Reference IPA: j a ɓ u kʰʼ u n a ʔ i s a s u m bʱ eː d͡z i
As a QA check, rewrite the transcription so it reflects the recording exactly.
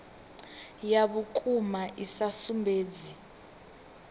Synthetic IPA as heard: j a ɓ u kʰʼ u m a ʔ i s a s u m bʱ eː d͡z i